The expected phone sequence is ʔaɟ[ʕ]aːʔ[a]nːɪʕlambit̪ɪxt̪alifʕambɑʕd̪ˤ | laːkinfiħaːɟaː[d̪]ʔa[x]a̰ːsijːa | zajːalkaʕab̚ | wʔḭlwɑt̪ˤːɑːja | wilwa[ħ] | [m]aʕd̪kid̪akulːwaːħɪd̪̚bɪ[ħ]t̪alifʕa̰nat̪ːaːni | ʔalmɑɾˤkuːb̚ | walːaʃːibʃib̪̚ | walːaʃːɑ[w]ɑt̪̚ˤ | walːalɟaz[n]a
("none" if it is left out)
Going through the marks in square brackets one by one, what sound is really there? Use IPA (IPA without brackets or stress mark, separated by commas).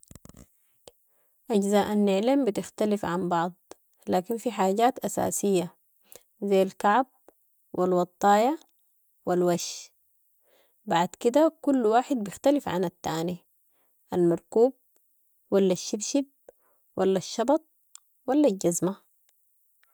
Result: z, a, t̪, s, ʃ, b, x, b, m